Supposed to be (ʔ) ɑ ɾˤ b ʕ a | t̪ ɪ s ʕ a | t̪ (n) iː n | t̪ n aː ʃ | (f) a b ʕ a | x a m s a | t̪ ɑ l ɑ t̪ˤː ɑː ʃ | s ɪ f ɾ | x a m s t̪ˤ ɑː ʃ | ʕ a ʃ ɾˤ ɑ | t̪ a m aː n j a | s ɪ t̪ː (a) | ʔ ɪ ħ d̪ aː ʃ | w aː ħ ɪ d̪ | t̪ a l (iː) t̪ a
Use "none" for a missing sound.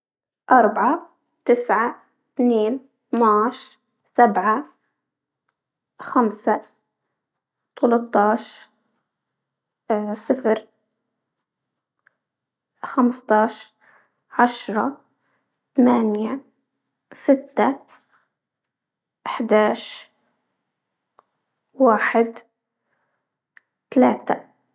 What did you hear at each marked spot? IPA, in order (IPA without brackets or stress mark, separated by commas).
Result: ʔ, n, s, a, aː